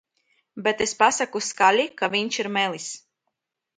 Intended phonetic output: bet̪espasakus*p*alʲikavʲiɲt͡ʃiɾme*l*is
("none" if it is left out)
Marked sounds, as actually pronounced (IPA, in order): k, l

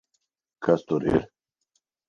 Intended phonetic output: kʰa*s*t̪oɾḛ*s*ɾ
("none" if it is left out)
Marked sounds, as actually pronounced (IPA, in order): s, none

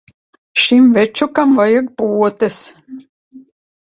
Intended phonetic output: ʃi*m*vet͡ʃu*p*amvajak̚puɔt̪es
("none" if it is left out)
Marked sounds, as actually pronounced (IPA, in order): m, k

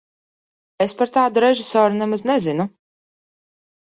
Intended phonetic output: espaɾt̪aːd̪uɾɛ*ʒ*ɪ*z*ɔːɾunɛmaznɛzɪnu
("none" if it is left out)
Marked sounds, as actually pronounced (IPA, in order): ʒ, s

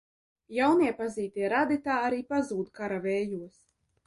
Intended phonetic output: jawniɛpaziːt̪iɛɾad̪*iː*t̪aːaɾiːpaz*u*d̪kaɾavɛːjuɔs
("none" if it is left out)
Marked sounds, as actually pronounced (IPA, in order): i, uː

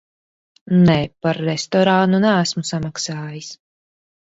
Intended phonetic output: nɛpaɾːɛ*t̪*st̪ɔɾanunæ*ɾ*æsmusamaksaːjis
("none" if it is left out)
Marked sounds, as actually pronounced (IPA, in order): none, none

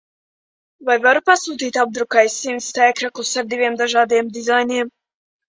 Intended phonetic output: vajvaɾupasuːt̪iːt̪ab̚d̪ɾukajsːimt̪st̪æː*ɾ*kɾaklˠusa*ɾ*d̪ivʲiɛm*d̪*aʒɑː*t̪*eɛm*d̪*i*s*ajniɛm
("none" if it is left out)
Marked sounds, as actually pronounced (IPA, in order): none, ɾ, d̪, d̪, d̪, z

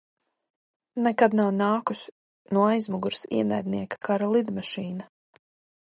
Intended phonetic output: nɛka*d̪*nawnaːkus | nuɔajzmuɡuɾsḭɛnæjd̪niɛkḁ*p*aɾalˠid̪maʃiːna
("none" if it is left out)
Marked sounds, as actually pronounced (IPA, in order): d̪, k

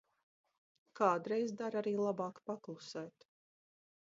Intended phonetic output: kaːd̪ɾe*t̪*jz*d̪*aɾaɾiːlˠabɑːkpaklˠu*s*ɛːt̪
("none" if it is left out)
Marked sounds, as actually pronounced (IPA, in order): none, d̪, s

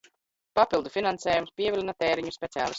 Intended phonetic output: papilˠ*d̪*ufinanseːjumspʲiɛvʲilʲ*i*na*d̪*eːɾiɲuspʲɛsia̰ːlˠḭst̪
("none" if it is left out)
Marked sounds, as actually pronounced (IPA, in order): d̪, i, t̪

